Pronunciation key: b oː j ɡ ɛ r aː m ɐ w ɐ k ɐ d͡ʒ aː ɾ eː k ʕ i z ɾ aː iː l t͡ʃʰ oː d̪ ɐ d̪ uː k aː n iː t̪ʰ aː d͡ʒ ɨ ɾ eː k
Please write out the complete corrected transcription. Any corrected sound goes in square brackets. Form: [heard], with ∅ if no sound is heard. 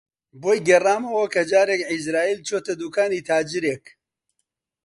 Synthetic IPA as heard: b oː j ɡ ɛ r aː m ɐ w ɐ k ɐ d͡ʒ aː ɾ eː k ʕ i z ɾ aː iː l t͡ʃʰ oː [t̪] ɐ d̪ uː k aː n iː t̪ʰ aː d͡ʒ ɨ ɾ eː k